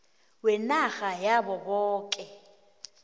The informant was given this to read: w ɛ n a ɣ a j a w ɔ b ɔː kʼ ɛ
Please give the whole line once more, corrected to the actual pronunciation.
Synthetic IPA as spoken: w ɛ n a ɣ a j a b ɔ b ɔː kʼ ɛ